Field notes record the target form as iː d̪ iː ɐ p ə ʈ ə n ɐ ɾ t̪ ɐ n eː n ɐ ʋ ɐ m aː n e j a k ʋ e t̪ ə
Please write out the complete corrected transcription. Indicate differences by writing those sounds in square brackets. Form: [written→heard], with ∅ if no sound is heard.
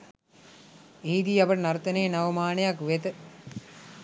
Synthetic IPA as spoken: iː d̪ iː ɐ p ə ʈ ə n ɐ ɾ t̪ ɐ n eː n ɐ ʋ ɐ m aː n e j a k ʋ e t̪ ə